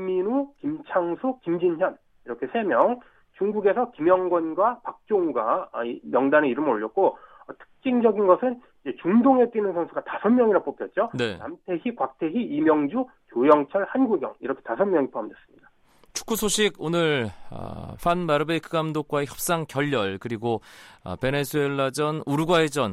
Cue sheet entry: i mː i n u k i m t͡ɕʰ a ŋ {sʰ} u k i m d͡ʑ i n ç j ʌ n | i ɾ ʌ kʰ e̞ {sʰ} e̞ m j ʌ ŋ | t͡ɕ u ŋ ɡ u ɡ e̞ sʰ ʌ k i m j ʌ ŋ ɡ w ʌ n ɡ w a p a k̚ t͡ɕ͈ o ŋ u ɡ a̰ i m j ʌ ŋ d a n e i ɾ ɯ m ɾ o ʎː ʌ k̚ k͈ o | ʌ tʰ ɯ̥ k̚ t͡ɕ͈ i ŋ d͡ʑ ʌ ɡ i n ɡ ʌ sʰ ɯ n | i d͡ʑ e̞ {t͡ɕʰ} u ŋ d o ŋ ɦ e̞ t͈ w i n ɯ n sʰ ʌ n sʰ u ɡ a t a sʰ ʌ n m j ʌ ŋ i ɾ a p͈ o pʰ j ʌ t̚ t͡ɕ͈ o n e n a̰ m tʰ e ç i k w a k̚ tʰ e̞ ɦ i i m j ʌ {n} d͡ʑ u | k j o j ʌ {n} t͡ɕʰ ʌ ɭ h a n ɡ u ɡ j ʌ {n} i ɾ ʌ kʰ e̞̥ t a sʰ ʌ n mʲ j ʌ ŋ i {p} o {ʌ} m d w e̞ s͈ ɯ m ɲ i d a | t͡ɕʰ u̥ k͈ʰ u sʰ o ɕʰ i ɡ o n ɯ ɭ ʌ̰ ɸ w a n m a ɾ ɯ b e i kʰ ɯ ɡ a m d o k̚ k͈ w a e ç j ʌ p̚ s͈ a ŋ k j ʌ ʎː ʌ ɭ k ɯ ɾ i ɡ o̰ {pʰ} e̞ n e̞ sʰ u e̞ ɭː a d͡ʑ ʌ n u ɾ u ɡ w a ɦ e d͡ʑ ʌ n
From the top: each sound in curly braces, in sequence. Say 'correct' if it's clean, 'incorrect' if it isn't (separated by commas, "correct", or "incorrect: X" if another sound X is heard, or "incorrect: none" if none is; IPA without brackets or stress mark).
correct, correct, incorrect: t͡ɕ, incorrect: ŋ, incorrect: ŋ, incorrect: ŋ, incorrect: pʰ, incorrect: a, incorrect: p